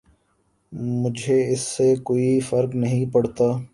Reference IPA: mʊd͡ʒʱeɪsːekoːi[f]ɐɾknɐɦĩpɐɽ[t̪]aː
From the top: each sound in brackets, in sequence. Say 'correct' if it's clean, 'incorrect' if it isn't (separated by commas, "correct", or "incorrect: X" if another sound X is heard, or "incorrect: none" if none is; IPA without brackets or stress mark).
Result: correct, correct